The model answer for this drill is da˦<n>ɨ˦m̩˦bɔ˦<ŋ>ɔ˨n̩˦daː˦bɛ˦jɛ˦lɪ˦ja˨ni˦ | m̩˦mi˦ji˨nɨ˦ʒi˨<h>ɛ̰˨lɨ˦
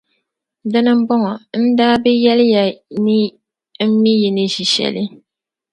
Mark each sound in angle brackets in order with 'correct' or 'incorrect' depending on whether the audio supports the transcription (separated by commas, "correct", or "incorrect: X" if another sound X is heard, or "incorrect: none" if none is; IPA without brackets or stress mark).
correct, correct, incorrect: ʃ